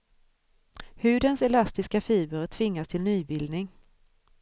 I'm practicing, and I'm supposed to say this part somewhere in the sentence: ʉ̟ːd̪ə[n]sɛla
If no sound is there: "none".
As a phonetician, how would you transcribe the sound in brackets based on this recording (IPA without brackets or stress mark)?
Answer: n